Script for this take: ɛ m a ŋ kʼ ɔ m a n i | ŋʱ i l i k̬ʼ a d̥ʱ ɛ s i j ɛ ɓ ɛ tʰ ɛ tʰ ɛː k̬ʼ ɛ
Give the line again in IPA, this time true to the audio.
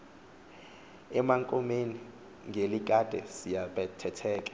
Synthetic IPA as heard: ɛ m a ŋ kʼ ɔ m e n i | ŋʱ e l i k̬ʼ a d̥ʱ ɛ s i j a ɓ ɛ tʰ ɛ tʰ ɛː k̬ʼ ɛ